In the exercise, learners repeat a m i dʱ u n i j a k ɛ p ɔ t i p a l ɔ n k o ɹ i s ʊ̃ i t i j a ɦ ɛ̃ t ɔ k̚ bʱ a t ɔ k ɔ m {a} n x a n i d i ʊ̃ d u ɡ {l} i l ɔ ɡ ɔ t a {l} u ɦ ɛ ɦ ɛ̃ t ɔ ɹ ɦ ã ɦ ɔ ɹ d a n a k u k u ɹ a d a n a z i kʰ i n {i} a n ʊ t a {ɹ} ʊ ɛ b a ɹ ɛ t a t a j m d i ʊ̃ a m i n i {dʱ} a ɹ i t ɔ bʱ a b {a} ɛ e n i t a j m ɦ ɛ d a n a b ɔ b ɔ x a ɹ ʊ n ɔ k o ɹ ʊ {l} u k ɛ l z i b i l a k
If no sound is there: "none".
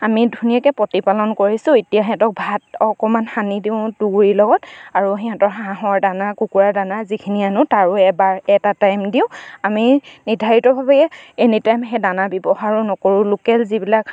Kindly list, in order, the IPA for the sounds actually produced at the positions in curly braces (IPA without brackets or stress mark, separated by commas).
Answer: a, ɹ, ɹ, i, ɹ, dʱ, ɛ, l